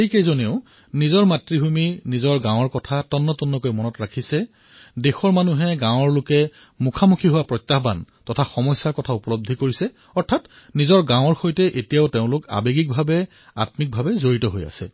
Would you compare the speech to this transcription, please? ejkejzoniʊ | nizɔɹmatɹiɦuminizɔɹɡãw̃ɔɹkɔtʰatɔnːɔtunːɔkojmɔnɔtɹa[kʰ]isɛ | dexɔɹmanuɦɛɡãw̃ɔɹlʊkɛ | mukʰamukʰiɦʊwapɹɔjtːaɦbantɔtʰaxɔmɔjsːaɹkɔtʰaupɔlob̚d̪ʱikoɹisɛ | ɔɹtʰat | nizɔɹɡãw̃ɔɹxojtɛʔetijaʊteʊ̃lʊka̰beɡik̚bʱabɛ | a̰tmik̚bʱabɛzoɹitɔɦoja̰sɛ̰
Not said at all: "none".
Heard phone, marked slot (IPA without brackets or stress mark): kʰ